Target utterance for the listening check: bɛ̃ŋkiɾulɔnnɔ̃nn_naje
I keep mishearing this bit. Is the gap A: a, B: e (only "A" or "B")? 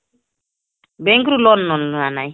A